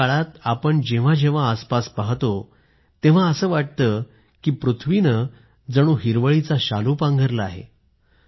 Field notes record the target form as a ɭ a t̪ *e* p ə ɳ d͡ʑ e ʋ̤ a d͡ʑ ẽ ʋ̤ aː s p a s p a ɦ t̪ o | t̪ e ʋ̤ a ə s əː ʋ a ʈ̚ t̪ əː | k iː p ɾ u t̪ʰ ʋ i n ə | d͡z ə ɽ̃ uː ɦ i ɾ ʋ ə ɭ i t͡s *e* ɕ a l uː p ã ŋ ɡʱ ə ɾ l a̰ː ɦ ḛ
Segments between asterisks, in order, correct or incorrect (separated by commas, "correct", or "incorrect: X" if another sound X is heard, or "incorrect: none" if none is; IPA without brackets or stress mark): incorrect: a, incorrect: a